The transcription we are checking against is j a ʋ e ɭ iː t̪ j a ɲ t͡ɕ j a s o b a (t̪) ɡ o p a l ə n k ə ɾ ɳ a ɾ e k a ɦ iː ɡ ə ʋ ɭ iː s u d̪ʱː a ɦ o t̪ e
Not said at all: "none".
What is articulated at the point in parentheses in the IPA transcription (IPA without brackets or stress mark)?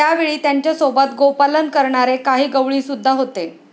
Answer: t̪